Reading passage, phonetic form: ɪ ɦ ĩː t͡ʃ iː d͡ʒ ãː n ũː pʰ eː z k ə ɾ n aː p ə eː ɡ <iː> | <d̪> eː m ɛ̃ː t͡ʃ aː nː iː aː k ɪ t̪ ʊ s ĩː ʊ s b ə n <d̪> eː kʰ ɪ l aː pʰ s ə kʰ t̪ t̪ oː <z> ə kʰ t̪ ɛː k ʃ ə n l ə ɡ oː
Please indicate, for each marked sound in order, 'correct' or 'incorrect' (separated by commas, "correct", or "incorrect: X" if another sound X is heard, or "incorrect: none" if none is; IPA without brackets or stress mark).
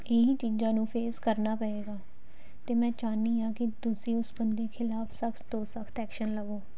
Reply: incorrect: aː, incorrect: t̪, correct, incorrect: s